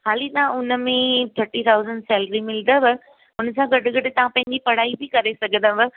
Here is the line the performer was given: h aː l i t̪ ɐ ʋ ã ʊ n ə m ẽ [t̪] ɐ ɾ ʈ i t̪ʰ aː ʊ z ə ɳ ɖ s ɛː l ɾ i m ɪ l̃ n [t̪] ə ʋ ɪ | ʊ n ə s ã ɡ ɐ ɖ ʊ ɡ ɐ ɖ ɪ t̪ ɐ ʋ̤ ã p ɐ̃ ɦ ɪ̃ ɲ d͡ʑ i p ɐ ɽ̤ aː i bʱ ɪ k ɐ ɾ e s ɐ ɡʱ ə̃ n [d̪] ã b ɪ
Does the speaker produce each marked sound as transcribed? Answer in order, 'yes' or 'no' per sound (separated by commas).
no, no, yes